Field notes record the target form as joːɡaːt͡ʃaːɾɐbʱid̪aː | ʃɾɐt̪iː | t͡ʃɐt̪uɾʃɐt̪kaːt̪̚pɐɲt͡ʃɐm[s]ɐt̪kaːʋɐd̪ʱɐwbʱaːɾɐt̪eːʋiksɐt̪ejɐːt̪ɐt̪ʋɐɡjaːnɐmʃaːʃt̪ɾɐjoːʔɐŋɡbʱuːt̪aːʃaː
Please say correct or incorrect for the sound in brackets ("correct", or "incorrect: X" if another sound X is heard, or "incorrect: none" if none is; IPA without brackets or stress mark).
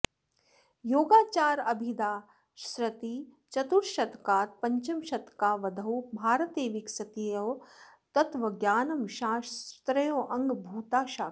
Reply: incorrect: ʃ